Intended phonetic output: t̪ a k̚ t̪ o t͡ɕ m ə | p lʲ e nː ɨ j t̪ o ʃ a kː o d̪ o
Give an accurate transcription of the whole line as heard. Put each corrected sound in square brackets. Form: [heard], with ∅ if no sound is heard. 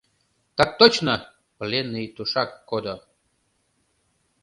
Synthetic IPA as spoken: t̪ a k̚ t̪ o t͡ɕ [n] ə | p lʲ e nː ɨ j t̪ [u] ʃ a kː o d̪ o